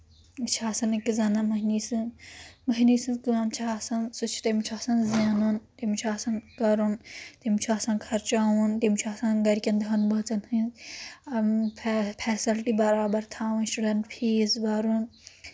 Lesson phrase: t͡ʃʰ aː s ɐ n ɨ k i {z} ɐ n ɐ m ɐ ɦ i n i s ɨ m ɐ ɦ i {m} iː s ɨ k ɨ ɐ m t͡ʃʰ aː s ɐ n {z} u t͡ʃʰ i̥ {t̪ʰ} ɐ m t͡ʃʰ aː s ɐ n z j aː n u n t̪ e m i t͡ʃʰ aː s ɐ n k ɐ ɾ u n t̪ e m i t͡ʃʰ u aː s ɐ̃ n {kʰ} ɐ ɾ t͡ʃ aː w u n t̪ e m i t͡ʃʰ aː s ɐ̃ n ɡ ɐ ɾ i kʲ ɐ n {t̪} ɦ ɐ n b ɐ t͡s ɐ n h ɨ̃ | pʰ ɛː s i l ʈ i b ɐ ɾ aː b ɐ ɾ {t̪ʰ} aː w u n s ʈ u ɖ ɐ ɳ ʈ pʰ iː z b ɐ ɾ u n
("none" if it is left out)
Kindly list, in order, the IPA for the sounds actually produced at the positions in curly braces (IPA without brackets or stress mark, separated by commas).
z, n, s, t̪, kʰ, d̪, t̪ʰ